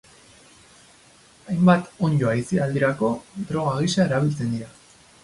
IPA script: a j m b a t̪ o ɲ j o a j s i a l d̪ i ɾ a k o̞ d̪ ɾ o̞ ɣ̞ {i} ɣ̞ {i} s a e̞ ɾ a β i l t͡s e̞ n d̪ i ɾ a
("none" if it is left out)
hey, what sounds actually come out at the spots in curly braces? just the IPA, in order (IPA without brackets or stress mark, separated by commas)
a, i